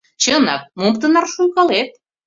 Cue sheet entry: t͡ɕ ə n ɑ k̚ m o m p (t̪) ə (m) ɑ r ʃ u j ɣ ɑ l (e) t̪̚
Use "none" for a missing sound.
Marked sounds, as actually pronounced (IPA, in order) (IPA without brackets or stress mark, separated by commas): t̪, n, e